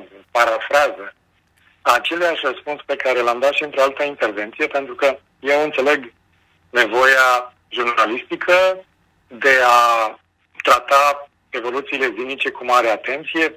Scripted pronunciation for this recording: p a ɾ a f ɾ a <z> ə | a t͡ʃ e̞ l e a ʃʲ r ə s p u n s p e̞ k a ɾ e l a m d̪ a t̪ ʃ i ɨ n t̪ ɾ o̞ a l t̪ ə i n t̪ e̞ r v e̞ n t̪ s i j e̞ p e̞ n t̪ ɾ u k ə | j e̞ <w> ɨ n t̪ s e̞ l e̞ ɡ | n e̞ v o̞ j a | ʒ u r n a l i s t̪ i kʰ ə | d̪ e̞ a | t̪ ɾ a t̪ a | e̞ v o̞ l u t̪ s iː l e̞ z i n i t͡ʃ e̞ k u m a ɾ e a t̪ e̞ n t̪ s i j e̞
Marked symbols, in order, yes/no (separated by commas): yes, yes